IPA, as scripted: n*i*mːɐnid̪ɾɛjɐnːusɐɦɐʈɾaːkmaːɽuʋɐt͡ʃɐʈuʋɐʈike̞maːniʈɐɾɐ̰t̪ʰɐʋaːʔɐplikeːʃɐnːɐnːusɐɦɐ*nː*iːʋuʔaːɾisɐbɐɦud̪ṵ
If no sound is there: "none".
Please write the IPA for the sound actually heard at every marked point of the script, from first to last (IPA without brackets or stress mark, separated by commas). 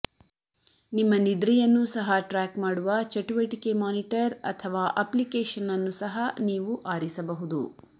i, n